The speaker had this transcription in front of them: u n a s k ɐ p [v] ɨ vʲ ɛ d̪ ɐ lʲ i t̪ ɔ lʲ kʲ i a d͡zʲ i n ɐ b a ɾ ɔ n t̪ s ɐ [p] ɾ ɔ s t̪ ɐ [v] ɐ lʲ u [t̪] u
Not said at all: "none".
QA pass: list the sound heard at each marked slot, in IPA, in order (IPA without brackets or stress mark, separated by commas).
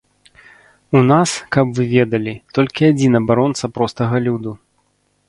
v, p, ɣ, d̪